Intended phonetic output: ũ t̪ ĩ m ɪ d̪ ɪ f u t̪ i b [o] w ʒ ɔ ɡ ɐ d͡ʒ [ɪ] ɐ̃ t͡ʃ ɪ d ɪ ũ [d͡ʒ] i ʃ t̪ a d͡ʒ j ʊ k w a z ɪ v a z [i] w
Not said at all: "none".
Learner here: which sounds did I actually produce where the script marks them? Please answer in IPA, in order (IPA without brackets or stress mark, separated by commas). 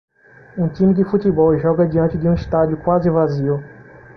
ɔ, i, none, i